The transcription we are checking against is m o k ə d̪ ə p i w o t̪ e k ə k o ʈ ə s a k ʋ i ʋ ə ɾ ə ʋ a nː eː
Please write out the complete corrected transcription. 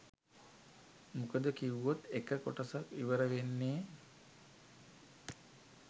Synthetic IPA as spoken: m u k ə d̪ ə k i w o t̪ e k ə k o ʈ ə s a k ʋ i ʋ ə ɾ ə ʋ e nː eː

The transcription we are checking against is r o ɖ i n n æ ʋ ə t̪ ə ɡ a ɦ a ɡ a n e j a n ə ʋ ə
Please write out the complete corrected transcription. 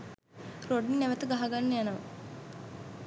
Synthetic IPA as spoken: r o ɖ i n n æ ʋ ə t̪ ə ɡ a ɦ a ɡ a nː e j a n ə ʋ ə

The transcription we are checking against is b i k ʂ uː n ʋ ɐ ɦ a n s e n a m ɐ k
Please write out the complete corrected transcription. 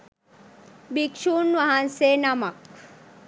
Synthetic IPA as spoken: b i k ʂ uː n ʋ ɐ ɦ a n s e n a m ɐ k

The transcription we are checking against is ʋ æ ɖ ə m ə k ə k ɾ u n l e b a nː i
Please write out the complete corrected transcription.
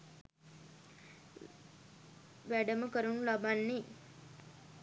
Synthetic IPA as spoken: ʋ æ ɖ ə m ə k ə ɾ u n l a b a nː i

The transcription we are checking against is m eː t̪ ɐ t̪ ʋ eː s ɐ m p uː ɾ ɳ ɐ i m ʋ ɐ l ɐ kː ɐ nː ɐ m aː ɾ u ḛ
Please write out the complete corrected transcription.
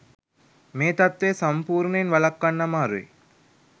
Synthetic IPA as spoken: m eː t̪ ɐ t̪ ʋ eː s ɐ m p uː ɾ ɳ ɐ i n ʋ ɐ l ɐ kː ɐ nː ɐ m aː ɾ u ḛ

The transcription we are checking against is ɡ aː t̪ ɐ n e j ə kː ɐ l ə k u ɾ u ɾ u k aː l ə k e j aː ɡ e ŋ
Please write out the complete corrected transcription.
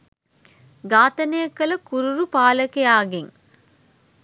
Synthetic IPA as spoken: ɡ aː t̪ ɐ n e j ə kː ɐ l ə k u ɾ u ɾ u p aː l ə k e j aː ɡ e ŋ

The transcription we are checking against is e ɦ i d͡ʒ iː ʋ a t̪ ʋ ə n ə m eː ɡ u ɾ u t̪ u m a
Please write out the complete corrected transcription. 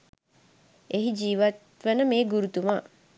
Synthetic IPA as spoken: e ɦ i d͡ʒ iː ʋ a t̪ ʋ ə n ə m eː ɡ u ɾ u t̪ u m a

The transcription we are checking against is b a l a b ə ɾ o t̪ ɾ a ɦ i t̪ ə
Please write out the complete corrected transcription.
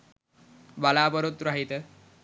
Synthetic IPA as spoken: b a l a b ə ɾ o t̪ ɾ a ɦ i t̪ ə

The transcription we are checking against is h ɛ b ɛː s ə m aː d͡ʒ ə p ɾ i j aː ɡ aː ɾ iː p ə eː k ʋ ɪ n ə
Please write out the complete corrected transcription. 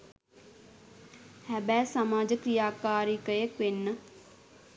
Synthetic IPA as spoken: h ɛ b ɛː s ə m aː d͡ʒ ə k ɾ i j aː k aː ɾ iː k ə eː k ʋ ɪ n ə

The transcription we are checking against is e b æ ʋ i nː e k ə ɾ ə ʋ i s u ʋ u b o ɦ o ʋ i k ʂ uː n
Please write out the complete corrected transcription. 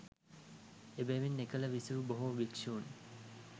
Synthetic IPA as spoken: e b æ ʋ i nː e k ə l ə ʋ i s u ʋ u b o ɦ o ʋ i k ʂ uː n

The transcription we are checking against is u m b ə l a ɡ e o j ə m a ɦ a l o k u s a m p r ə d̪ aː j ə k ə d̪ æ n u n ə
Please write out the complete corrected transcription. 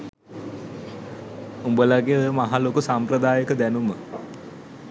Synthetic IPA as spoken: u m b ə l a ɡ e o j ə m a ɦ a l o k u s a m p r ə d̪ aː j ə k ə d̪ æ n u m ə

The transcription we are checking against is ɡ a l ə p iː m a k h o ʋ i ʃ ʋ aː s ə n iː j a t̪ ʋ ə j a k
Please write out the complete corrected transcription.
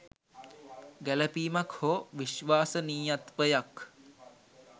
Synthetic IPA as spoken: ɡ æ l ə p iː m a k h o ʋ i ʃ ʋ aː s ə n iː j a t̪ ʋ ə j a k

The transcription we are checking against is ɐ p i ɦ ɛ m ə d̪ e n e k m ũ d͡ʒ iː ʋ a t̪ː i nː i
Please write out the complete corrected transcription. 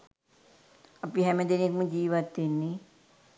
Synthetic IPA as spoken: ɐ p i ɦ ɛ m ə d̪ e n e k m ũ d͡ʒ iː ʋ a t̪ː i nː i

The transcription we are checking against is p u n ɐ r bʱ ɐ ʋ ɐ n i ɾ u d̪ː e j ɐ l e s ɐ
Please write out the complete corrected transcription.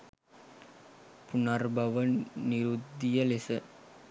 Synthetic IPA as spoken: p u n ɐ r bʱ ɐ ʋ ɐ n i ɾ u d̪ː i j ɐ l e s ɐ

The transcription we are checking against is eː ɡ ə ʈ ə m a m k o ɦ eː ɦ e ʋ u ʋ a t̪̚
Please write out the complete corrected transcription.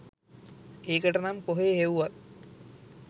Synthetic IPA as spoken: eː k ə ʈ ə n a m k o ɦ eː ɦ e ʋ u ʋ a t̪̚

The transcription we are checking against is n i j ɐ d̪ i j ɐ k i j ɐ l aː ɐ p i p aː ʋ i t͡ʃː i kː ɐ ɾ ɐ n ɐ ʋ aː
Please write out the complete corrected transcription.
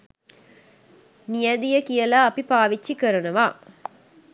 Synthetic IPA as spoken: n i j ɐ d̪ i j ɐ k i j ɐ l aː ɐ p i p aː ʋ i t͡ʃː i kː ɐ ɾ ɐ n ɐ ʋ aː

